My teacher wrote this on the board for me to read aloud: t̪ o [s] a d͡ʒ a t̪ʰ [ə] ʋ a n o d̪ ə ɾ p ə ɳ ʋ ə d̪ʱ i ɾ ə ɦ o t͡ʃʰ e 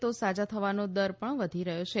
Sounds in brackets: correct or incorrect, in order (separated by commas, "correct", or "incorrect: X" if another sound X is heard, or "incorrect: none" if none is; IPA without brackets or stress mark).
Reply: correct, correct